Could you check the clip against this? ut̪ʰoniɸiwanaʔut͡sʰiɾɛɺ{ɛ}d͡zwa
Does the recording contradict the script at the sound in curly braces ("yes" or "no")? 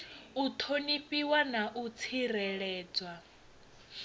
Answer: yes